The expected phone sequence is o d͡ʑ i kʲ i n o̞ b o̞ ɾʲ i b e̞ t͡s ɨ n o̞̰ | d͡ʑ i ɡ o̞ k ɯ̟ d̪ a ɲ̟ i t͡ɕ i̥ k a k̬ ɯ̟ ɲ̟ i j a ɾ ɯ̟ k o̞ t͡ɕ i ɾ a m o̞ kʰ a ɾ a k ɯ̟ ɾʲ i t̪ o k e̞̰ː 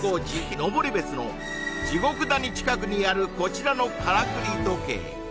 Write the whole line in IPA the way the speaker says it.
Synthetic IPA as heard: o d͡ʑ i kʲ i n o̞ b o̞ ɾʲ i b e̞ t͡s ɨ n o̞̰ | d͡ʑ i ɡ o̞ k ɯ̟ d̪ a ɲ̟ i t͡ɕ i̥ k a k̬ ɯ̟ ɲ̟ i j a ɾ ɯ̟ k o̞ t͡ɕ i ɾ a n o̞ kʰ a ɾ a k ɯ̟ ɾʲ i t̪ o k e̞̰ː